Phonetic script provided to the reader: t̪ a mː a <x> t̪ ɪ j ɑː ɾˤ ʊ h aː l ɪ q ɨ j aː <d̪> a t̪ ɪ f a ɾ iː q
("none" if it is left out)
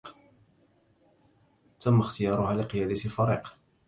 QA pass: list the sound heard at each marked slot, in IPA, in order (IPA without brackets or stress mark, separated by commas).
x, d̪